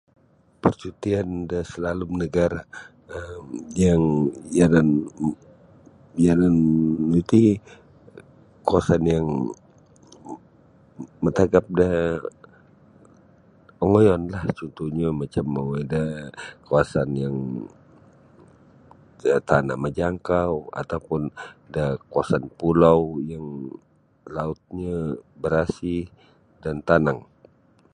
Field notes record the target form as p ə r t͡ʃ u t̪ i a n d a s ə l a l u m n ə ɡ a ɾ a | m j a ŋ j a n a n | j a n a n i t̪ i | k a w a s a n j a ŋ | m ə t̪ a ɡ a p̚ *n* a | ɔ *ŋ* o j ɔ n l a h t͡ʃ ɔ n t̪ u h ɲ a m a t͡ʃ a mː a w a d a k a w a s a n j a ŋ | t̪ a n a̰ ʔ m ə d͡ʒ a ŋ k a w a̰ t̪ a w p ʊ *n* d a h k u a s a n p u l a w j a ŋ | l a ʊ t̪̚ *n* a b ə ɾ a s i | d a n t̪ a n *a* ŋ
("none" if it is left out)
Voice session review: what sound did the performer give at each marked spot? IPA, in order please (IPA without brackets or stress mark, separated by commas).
d, ŋ, n, ɲ, a